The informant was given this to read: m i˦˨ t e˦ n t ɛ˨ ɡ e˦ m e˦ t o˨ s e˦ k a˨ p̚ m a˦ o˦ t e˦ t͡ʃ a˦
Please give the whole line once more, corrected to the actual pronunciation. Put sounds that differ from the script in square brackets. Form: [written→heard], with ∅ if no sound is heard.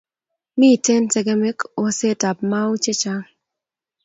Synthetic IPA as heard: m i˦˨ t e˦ n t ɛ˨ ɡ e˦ m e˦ [t→k] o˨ s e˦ [k→t] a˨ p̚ m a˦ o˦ [t→t͡ʃ] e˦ t͡ʃ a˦